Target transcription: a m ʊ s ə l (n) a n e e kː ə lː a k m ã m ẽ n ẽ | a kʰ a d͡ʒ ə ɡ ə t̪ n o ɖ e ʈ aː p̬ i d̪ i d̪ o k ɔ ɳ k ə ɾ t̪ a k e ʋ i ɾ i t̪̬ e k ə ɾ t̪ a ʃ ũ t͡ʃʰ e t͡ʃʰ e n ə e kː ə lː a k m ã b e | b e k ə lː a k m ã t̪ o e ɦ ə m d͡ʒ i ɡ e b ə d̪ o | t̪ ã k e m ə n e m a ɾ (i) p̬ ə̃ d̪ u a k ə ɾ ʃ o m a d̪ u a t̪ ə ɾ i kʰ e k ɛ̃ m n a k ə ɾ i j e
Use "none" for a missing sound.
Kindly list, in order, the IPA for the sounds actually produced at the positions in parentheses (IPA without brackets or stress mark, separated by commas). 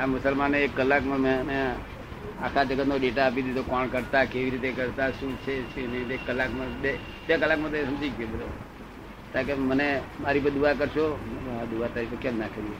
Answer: m, i